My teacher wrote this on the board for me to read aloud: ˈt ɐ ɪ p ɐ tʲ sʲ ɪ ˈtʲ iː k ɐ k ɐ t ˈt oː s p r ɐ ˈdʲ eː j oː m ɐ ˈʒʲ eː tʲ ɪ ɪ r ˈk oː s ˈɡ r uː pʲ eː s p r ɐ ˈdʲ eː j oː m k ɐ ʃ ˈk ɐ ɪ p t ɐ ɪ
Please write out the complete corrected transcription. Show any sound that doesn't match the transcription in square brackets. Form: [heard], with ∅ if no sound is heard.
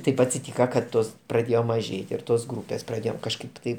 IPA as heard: ˈt ɐ ɪ p ɐ tʲ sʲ ɪ ˈtʲ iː k ɐ k ɐ t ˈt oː s p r ɐ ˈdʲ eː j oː m ɐ ˈʒʲ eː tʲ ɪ ɪ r [ˈt] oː s ˈɡ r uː pʲ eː s p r ɐ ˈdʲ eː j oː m k ɐ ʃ ˈk ɐ ɪ p t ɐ ɪ